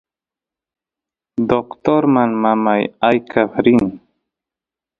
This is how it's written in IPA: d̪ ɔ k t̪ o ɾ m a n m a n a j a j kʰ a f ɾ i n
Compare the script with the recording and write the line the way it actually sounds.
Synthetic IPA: d̪ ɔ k t̪ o ɾ m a n m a m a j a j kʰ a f ɾ i n